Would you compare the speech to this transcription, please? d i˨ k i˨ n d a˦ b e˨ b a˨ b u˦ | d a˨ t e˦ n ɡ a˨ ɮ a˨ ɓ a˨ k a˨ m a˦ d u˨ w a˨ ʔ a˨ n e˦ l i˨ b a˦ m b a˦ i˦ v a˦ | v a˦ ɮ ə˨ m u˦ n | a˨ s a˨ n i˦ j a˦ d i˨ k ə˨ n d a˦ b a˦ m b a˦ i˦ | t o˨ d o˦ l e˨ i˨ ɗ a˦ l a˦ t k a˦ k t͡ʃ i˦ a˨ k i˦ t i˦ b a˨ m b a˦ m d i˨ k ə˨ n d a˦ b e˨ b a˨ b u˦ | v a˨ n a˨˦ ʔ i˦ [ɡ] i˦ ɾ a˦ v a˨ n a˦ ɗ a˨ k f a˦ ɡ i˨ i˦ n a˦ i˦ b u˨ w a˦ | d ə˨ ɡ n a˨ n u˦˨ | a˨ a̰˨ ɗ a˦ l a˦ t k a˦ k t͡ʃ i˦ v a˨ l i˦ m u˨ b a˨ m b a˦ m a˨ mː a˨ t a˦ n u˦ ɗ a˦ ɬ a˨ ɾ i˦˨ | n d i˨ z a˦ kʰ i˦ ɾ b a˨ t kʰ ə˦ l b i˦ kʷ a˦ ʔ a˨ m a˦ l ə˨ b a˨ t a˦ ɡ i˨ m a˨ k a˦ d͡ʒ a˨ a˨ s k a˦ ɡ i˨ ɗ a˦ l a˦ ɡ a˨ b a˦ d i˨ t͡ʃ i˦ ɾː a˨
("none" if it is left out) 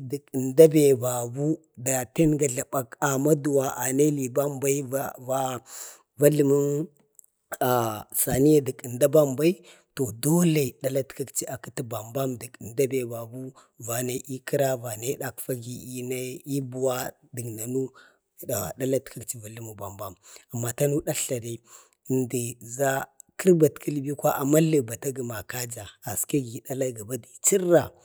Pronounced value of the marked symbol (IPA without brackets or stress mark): k